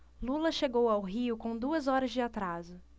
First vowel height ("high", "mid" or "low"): high